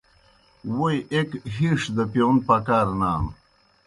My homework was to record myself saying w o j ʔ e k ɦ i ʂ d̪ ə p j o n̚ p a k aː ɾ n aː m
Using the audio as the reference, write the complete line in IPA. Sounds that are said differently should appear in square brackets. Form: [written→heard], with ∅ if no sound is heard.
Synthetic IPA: w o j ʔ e k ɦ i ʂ d̪ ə p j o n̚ p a k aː ɾ n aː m